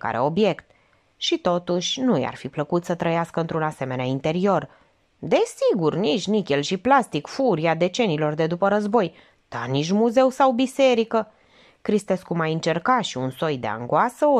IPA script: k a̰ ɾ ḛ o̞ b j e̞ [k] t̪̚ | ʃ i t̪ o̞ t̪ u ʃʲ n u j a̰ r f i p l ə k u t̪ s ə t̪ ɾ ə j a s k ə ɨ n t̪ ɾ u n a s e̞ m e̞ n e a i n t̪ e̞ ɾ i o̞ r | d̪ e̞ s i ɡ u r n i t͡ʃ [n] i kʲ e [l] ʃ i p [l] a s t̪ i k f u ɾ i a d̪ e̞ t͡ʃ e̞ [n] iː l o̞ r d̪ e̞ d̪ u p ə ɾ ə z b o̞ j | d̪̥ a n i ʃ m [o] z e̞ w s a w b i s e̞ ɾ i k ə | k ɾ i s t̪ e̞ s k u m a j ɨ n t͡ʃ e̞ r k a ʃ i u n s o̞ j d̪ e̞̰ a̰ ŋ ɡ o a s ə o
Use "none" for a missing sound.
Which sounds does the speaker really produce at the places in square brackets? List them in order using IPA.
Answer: k, n, l, l, n, u

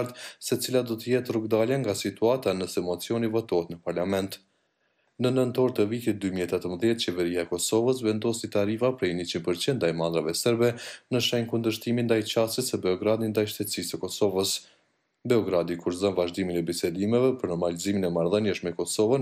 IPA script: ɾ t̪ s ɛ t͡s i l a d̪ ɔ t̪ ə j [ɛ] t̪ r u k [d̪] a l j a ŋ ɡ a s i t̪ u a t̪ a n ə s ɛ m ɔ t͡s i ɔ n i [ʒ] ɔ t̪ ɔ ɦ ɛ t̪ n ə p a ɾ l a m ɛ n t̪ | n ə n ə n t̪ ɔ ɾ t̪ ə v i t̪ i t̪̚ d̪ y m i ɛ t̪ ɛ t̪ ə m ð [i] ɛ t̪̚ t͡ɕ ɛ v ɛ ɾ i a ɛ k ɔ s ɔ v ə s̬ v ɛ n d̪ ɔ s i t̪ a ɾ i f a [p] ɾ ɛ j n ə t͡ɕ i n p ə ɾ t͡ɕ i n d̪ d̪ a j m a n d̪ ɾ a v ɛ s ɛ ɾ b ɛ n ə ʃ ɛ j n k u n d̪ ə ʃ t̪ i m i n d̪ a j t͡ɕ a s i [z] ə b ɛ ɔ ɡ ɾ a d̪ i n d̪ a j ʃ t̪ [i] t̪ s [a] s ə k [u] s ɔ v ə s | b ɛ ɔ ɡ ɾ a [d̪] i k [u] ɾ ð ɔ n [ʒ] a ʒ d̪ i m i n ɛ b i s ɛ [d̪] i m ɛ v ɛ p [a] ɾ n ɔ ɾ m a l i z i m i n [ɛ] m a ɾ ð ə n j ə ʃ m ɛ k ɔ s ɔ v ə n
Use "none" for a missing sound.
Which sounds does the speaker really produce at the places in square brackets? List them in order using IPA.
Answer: ɛ, d̪, v, j, p, s, ɛ, i, ɔ, d̪, u, v, d̪, ə, ɛ

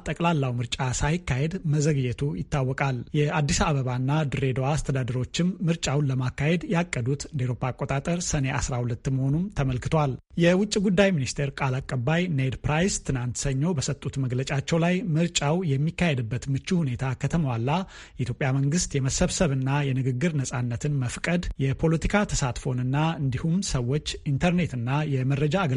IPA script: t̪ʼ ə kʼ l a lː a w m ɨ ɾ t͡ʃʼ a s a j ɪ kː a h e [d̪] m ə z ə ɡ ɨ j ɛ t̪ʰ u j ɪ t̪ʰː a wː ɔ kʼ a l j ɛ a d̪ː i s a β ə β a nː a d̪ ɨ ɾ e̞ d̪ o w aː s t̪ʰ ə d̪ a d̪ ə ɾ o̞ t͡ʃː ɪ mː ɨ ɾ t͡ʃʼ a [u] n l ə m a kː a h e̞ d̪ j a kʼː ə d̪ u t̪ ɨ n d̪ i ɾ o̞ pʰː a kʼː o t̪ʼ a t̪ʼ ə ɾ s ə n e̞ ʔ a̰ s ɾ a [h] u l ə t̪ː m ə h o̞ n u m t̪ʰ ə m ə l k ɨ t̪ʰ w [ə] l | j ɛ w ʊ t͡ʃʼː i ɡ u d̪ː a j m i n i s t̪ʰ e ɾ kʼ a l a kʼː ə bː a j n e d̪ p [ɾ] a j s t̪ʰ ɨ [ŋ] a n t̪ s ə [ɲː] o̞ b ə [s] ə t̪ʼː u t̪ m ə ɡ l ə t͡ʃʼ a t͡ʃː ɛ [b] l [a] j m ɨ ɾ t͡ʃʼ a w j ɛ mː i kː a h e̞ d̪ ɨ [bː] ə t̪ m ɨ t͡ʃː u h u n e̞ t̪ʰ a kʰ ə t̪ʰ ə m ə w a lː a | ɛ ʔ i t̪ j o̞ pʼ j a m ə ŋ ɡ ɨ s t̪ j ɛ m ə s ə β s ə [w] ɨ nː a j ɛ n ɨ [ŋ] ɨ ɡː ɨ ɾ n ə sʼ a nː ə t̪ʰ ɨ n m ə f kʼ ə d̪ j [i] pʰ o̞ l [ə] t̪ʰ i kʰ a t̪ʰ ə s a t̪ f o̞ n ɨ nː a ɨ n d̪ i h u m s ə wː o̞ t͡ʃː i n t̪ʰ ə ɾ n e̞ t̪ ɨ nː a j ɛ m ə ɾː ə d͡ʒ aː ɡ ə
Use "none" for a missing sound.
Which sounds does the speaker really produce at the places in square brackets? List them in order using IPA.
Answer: d̪, w, h, a, ɾ, n, ɲː, s, w, a, bː, β, ɡ, ɛ, ə

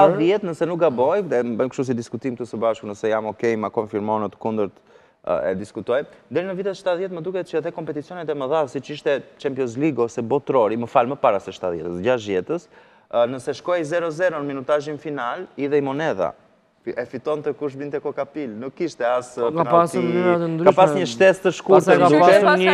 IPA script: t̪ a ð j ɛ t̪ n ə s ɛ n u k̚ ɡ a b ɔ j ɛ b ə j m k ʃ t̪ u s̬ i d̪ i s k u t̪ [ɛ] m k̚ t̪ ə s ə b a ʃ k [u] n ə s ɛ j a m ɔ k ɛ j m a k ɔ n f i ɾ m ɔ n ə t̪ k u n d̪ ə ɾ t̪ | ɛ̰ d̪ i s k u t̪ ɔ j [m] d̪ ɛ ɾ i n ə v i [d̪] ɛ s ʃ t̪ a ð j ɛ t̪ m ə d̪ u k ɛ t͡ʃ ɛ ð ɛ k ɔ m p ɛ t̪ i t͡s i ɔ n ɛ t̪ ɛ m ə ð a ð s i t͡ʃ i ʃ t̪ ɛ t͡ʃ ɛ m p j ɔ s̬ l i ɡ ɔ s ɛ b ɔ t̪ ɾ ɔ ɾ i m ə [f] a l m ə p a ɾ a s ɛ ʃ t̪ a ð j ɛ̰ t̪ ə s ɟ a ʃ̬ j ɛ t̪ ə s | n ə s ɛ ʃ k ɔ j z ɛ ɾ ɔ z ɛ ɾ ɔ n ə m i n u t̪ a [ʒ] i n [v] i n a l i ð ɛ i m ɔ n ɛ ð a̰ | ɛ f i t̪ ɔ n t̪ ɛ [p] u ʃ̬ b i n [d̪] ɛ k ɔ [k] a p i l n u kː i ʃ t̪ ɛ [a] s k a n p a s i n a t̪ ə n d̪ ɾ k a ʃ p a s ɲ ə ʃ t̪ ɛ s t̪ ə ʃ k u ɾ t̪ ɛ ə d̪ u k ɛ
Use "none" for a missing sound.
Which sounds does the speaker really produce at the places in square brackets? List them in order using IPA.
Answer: i, u, n, t̪, f, ʒ, f, k, t̪, k, a

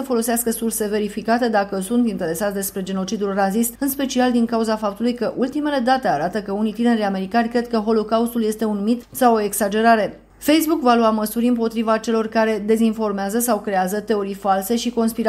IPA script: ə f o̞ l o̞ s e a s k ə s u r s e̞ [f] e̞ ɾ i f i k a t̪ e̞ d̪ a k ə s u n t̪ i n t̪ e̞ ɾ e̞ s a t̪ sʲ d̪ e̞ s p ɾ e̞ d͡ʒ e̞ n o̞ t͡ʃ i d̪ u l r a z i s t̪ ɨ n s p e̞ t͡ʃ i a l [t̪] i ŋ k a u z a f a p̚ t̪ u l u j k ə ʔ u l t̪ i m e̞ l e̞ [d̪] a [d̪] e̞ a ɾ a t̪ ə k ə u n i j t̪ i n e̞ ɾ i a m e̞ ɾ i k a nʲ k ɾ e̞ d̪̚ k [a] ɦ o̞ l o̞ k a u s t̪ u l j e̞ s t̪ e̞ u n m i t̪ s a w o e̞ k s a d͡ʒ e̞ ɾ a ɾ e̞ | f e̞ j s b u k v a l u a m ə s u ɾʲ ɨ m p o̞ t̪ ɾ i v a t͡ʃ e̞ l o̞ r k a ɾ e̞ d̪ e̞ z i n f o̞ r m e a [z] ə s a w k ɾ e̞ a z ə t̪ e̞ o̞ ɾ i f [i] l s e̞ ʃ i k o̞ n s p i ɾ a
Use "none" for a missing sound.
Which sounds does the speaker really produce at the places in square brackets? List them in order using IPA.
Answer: v, d̪, d̪, t̪, ə, z, a

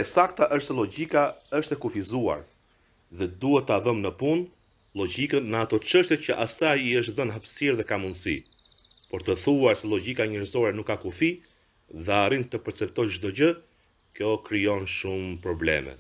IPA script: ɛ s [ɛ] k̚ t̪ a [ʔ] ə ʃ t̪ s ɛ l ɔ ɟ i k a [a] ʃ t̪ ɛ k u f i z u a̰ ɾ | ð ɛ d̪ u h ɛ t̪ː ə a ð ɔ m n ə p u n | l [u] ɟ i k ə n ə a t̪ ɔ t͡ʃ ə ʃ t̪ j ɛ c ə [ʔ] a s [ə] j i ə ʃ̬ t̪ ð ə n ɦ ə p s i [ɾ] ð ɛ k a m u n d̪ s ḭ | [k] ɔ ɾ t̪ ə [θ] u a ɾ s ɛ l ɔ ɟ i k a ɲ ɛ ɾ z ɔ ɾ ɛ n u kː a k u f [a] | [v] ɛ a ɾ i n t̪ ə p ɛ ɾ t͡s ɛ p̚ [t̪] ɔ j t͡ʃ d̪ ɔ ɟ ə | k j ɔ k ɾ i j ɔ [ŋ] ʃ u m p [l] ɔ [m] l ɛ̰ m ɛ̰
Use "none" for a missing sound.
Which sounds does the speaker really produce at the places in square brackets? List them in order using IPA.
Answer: a, ʔ, ə, ɔ, ʔ, a, ɾ, p, θ, i, ð, t̪, n, ɾ, b

